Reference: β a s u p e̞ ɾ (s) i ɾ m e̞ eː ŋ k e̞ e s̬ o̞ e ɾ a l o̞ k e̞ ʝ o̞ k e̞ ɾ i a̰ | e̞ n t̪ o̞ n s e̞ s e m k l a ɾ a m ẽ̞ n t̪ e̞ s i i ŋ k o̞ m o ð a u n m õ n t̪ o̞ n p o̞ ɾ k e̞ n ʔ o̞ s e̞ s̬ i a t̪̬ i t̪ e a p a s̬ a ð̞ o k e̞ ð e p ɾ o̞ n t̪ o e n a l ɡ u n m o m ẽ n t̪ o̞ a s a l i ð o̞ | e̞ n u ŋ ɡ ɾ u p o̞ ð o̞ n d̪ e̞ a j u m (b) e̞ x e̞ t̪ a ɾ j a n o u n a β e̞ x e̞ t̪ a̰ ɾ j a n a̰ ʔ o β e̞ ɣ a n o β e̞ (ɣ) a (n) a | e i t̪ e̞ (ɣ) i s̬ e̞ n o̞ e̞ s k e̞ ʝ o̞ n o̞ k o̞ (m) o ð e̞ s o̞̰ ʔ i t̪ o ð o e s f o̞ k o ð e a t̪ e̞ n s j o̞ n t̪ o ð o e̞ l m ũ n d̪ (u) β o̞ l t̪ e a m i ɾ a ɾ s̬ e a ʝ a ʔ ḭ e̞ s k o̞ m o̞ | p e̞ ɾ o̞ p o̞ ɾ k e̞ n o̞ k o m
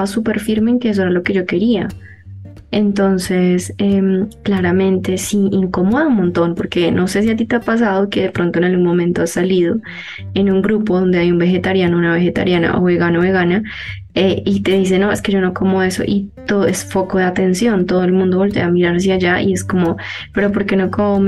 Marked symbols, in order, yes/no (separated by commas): no, yes, yes, yes, no, yes, no